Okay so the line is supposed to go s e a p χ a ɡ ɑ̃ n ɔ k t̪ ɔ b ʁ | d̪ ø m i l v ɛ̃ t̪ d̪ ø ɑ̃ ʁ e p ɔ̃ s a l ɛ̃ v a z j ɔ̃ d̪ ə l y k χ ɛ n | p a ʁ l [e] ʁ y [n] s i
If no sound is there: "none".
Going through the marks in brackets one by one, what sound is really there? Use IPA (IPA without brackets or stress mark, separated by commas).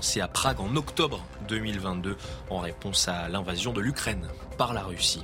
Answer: a, none